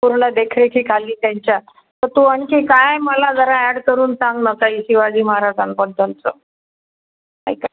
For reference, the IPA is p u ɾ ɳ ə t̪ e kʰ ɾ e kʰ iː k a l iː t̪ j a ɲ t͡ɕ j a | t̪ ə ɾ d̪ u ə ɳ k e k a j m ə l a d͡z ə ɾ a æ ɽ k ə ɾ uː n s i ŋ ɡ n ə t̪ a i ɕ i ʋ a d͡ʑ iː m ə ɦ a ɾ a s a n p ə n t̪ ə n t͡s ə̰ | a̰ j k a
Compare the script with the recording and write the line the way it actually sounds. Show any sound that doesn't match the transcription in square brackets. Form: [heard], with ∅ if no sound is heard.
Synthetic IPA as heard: p u ɾ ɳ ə [d̪] e kʰ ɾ e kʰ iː k a l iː t̪ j a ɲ t͡ɕ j a | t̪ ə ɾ [t̪] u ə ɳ k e k a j m ə l a d͡z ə ɾ a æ ɽ k ə ɾ uː n s [a] ŋ ɡ n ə t̪ a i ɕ i ʋ a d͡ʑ iː m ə ɦ a ɾ a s a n p ə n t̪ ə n t͡s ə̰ | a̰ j k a